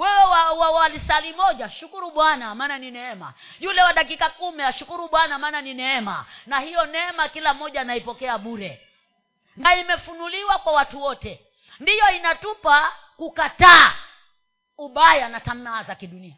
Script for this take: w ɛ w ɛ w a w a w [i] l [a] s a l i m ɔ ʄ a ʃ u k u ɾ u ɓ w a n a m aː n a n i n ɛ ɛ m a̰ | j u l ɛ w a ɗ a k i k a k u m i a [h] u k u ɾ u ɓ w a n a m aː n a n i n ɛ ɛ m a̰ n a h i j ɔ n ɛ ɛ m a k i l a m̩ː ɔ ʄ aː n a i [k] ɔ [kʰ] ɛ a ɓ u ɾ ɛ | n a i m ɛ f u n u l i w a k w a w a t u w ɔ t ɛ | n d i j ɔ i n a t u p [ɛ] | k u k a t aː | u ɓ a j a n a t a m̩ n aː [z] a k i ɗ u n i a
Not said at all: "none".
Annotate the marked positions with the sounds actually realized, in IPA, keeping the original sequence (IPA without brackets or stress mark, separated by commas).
a, i, ʃ, p, k, a, z